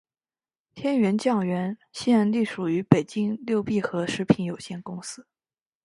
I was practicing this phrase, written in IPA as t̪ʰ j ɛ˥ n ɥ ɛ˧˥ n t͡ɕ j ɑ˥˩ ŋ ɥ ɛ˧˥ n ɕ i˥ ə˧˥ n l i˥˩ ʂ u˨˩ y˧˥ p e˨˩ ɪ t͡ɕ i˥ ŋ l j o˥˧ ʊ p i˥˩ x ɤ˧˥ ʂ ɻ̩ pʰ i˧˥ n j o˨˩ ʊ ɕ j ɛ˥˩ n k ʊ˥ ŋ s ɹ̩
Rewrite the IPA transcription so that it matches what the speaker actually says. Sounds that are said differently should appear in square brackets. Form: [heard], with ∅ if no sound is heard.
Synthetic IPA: t̪ʰ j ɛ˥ n ɥ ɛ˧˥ n t͡ɕ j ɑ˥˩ ŋ ɥ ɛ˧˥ n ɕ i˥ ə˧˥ n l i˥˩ ʂ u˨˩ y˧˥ p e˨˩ ɪ t͡ɕ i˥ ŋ l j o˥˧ ʊ p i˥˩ x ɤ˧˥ ʂ ɻ̩ pʰ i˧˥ n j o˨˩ ʊ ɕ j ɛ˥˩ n k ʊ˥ ŋ s ɹ̩